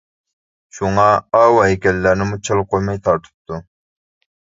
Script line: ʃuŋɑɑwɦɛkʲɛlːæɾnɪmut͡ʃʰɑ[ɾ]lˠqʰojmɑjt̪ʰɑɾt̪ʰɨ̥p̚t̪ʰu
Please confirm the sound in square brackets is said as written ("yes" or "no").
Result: no